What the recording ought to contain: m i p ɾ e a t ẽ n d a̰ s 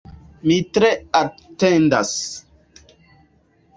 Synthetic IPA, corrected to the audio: m i t ɾ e a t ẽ n d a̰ s